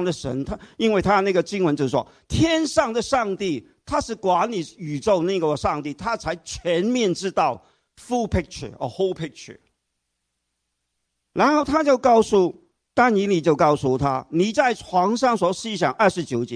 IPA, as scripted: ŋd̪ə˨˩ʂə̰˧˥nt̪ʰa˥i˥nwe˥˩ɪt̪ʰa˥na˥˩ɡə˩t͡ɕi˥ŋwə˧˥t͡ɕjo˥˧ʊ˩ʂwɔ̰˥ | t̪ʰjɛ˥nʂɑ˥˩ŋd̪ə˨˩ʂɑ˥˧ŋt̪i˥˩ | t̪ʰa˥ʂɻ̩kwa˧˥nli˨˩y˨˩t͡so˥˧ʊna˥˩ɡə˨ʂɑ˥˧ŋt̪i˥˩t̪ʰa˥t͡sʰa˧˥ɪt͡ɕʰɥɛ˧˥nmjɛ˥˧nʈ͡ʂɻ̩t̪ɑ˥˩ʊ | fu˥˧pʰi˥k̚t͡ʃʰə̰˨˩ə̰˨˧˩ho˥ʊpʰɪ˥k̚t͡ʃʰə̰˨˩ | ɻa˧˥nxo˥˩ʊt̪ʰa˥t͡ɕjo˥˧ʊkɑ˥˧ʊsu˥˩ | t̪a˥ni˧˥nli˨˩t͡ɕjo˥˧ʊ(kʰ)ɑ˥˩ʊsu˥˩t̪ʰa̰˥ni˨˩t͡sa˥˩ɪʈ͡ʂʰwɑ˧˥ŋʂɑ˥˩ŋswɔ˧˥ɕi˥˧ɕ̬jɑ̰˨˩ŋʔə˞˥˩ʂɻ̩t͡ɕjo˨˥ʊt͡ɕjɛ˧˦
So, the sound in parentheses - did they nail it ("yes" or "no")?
no